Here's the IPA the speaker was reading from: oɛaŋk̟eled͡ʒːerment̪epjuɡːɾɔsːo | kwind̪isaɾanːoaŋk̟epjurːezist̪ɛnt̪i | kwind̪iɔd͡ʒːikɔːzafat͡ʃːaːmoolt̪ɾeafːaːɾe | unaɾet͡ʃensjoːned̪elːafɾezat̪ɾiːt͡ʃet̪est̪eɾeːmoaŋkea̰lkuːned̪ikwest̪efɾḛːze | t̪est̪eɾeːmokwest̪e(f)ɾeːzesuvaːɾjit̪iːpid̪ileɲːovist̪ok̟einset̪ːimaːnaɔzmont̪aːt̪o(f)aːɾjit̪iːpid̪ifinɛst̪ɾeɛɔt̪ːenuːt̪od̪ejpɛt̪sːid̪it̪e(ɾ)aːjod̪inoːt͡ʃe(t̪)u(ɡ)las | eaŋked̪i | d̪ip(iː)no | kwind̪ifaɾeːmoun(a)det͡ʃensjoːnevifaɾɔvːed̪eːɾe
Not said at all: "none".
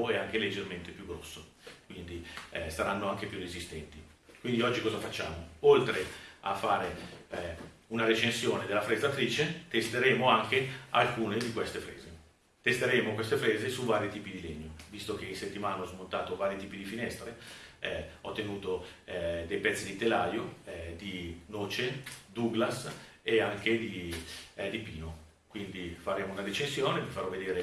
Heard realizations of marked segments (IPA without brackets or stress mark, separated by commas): f, v, l, d̪, ɡ, iː, a